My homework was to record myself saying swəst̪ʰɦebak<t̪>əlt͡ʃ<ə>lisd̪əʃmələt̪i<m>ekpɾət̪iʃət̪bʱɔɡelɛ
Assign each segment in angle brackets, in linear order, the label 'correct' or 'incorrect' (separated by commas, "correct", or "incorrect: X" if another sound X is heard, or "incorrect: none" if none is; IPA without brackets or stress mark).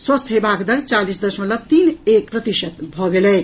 incorrect: d̪, incorrect: a, incorrect: n